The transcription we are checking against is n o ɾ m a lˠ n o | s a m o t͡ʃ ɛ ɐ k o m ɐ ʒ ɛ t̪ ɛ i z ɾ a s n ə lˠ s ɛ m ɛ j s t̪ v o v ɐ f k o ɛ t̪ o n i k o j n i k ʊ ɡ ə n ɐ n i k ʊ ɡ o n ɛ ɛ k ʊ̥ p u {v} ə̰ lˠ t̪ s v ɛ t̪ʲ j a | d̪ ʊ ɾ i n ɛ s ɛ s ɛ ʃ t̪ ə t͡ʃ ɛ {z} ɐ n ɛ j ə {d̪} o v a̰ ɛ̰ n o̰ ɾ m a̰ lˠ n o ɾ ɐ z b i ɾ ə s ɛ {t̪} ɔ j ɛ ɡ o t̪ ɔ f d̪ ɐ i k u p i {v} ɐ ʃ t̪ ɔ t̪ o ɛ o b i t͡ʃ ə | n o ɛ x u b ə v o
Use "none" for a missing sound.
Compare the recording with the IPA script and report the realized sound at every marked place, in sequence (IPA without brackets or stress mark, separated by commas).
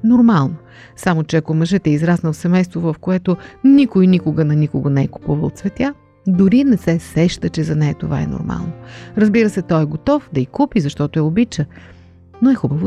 v, z, t̪, t̪, z